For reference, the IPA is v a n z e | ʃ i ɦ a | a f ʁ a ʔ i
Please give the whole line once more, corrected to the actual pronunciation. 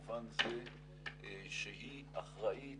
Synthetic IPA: v a n z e | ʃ e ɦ i | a χ ʁ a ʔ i